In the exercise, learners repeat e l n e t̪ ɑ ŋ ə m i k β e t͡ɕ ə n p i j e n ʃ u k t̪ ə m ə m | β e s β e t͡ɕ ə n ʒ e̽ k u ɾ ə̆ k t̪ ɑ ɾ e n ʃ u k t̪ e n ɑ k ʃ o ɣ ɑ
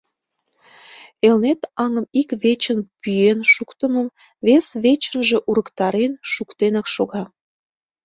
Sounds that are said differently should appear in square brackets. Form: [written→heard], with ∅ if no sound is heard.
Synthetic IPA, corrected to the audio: e l n e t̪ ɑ ŋ ə m i k β e t͡ɕ ə n p [i→y] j e n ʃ u k t̪ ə m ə m | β e s β e t͡ɕ ə n ʒ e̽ [k→ʔ] u ɾ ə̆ k t̪ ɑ ɾ e n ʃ u k t̪ e n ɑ k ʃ o ɣ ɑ